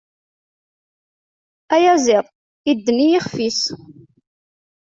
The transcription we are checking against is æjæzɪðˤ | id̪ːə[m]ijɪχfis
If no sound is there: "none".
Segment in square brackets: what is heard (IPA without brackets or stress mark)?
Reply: n